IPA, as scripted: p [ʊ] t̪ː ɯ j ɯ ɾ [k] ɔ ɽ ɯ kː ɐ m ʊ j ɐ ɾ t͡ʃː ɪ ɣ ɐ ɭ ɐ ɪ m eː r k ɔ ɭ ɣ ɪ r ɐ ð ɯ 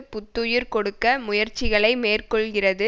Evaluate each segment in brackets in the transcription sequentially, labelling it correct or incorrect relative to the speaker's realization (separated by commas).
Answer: correct, correct